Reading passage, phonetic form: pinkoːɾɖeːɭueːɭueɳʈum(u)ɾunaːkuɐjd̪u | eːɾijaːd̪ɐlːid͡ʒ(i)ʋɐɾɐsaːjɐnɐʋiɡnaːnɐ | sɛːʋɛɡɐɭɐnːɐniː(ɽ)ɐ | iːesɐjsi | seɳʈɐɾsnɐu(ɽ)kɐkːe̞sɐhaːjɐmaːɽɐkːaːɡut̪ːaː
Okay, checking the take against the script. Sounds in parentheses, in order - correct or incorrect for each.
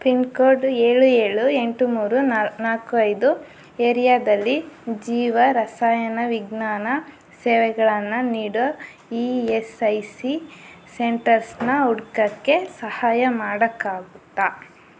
incorrect: uː, incorrect: iː, correct, correct

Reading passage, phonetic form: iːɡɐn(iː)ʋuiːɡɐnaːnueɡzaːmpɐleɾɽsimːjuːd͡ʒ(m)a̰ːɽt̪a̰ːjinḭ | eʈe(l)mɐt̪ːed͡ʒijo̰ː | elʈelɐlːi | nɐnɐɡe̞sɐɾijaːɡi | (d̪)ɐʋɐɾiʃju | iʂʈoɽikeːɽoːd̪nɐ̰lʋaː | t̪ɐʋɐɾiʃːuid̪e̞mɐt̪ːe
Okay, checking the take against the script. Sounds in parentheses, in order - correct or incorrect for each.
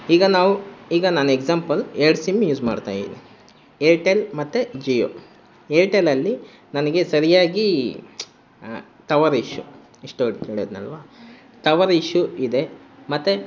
incorrect: aː, correct, correct, incorrect: t̪

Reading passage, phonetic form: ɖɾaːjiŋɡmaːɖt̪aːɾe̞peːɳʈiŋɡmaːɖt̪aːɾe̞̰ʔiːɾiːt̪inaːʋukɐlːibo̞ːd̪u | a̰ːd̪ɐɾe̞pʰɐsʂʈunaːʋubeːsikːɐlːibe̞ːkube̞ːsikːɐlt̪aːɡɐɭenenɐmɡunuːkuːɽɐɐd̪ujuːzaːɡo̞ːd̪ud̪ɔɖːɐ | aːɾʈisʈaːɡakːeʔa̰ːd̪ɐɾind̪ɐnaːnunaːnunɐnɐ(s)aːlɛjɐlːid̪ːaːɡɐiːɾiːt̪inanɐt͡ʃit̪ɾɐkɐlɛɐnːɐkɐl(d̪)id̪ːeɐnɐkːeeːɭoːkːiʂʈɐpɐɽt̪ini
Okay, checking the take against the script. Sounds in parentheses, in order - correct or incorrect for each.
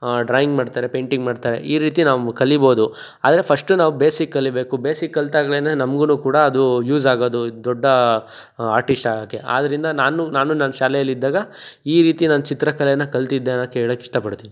incorrect: ʃ, incorrect: t̪

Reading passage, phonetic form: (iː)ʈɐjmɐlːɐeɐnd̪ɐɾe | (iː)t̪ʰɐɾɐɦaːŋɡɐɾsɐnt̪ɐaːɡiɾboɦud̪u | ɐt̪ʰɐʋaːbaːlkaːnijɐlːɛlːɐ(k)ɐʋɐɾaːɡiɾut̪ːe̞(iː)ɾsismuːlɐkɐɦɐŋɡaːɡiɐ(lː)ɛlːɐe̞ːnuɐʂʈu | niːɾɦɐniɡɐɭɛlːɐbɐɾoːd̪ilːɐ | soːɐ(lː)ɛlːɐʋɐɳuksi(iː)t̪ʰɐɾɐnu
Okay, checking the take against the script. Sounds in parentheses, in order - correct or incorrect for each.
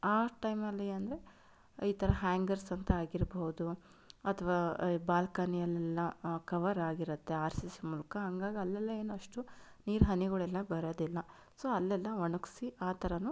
incorrect: aː, correct, correct, incorrect: aː, correct, correct, incorrect: aː

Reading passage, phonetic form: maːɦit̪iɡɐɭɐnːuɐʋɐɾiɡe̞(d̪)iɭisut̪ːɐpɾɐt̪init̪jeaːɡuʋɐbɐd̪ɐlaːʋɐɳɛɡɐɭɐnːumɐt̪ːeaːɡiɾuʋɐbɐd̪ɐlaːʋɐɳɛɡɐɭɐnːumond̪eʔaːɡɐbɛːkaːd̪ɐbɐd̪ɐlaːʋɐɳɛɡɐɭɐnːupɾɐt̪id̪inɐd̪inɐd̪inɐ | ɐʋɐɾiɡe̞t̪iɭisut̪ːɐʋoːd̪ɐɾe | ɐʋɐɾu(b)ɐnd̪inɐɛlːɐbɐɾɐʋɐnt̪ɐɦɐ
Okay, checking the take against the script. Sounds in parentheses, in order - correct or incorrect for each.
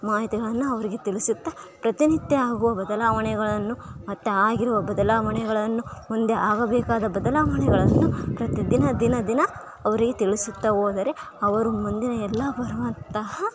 incorrect: t̪, incorrect: m

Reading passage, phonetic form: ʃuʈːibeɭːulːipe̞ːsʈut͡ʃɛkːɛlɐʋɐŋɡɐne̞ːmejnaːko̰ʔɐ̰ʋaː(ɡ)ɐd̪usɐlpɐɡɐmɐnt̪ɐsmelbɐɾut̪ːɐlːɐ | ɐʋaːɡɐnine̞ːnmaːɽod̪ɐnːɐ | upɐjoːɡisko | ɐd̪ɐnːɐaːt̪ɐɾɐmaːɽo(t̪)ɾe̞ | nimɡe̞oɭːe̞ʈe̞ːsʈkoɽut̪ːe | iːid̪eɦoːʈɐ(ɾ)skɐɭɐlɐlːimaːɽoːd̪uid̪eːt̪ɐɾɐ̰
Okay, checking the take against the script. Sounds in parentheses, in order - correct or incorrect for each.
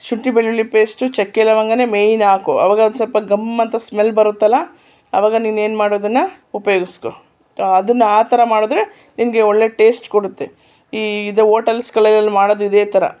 correct, incorrect: d̪, incorrect: l

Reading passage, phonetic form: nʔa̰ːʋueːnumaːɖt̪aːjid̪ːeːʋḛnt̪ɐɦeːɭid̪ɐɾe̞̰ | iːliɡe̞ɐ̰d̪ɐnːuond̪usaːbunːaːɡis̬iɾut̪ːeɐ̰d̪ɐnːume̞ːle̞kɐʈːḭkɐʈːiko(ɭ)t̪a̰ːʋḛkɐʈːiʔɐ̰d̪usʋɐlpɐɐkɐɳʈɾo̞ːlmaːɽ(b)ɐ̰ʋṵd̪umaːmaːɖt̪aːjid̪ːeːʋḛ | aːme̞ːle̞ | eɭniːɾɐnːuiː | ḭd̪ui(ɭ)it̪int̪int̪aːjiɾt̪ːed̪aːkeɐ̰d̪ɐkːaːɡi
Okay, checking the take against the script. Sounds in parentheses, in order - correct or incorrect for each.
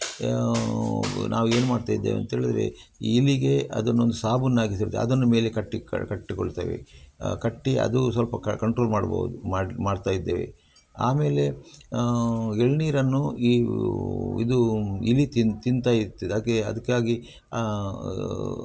correct, correct, incorrect: l

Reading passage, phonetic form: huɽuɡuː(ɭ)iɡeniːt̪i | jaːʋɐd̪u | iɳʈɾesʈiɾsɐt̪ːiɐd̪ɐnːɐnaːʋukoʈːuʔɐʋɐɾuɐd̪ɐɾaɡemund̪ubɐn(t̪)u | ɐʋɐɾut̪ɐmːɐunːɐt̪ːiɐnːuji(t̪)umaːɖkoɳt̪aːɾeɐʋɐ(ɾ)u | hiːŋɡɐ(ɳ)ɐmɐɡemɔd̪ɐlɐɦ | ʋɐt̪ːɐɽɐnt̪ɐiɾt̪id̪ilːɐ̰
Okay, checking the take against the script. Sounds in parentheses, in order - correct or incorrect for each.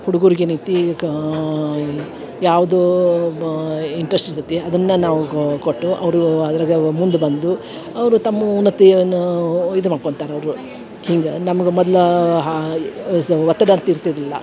incorrect: ɾ, incorrect: d̪, incorrect: d̪, correct, incorrect: n

